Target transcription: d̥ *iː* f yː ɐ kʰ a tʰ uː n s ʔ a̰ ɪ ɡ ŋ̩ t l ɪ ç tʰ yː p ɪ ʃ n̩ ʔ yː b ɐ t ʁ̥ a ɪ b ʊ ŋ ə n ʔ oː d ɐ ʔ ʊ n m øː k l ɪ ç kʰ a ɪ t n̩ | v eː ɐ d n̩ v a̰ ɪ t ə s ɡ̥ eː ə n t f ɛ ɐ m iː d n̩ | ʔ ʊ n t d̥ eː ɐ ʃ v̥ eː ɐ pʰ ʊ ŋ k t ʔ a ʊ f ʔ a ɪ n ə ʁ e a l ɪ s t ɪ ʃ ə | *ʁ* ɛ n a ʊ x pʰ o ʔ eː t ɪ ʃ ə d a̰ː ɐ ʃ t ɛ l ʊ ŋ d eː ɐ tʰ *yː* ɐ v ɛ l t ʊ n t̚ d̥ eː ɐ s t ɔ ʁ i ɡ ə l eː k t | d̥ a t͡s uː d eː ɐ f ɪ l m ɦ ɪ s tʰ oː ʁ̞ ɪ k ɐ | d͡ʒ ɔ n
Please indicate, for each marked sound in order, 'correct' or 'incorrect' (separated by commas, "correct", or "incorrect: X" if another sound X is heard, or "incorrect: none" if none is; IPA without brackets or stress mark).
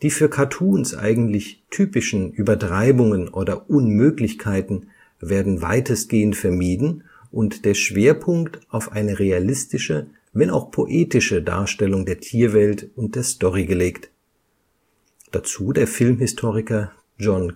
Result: correct, incorrect: v, incorrect: iː